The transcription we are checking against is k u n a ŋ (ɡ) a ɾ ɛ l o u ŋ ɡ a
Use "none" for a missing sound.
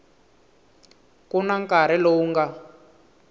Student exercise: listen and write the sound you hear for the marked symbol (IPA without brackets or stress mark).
k